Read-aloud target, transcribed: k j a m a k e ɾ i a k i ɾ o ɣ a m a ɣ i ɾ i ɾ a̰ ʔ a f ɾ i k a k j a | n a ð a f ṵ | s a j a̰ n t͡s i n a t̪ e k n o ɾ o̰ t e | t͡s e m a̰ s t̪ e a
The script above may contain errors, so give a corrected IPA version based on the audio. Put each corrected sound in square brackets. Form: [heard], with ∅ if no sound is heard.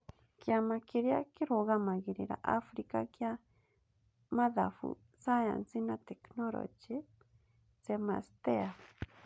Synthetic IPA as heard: k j a m a k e ɾ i a k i ɾ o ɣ a m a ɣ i ɾ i ɾ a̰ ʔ a f ɾ i k a k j a | [m] a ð a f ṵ | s a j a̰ n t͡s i n a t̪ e k n o ɾ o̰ [t͡ʃ] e | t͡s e m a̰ s t̪ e a

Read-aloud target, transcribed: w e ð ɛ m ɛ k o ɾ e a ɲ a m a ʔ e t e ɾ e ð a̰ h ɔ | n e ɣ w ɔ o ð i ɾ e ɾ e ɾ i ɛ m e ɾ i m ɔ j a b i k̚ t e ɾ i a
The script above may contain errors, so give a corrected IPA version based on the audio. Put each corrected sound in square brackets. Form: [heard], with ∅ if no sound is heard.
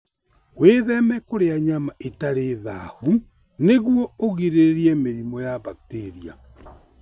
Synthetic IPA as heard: w e ð ɛ m ɛ k o ɾ e a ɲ a m a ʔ e t [a] ɾ e ð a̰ h [u] | n e ɣ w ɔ o [ɣ] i ɾ e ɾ e ɾ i ɛ m e ɾ i m ɔ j a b [a] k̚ t e ɾ i a

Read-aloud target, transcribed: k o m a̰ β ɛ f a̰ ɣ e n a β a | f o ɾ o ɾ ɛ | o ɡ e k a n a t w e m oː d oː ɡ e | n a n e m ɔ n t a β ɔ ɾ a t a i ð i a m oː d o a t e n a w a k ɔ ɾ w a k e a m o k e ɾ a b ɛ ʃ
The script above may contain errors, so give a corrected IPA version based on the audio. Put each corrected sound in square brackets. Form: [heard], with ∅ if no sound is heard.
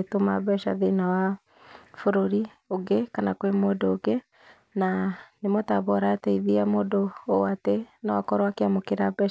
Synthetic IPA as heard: [t] o m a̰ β ɛ [ʃ] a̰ [ð] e n a [w] a | f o ɾ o ɾ [i] | o ɡ e k a n a [k] w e m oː d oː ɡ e | n a n e m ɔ [∅] t a β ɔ ɾ a t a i ð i a m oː d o a t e n a w a k ɔ ɾ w a k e a m o k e ɾ a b ɛ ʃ

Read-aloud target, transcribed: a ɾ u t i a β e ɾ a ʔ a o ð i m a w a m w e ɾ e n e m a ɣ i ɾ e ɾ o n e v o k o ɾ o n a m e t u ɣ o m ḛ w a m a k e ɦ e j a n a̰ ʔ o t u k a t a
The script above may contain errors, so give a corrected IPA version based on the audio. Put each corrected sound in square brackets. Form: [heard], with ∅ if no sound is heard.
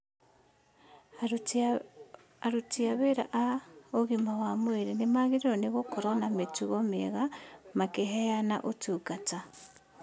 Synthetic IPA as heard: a ɾ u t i a β e ɾ a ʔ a o [ɣ] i m a w a m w e ɾ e n e m a ɣ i ɾ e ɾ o n e [ɣ] o k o ɾ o n a m e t u ɣ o m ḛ [ɣ] a m a k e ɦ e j a n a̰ ʔ o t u k a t a

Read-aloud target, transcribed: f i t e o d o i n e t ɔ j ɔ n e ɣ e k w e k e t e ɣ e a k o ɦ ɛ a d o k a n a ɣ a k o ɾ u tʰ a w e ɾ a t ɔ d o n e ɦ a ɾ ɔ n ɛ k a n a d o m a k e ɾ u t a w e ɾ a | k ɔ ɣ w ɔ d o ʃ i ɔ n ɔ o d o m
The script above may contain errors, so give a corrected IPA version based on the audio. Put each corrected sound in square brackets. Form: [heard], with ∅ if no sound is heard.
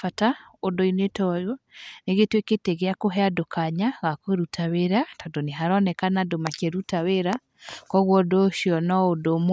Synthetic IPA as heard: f [a] t [a] o d o i n e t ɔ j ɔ n e ɣ e [t] w e k e t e ɣ e a k o ɦ ɛ a d o k a [ɲ] a ɣ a k o ɾ u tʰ a w e ɾ a t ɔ d o n e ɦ a ɾ ɔ n ɛ k a n a d o m a k e ɾ u t a w e ɾ a | k ɔ ɣ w ɔ d o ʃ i ɔ n ɔ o d o m

